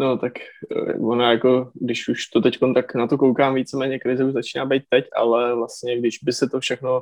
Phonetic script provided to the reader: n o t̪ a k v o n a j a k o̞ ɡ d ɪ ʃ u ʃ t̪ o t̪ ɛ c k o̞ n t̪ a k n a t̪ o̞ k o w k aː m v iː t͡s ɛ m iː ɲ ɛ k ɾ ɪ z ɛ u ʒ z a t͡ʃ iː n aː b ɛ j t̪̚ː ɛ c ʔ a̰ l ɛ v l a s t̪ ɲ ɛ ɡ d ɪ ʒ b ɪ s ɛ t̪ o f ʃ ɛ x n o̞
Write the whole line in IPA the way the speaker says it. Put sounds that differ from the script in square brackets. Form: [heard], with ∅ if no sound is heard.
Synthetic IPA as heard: n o t̪ a k v o n a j a k o̞ ɡ d ɪ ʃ u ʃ t̪ o t̪ ɛ c k o̞ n t̪ a k n a t̪ o̞ k o w k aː m v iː t͡s ɛ m [ɛː] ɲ ɛ k ɾ ɪ z ɛ u ʒ z a t͡ʃ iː n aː b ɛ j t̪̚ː ɛ c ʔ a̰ l ɛ v l a s t̪ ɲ ɛ ɡ d ɪ ʒ b ɪ s ɛ t̪ o f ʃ ɛ x n o̞